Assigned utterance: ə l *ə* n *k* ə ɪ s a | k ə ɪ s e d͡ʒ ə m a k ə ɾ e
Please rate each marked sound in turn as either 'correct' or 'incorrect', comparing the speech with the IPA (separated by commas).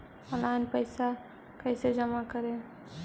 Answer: incorrect, incorrect